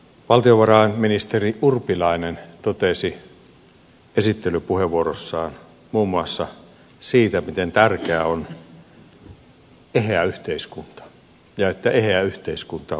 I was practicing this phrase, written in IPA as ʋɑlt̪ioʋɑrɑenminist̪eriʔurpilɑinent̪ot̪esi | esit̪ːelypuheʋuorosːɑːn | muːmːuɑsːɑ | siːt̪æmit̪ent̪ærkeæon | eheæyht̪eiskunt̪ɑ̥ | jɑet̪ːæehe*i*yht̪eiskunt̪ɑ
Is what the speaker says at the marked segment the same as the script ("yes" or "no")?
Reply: no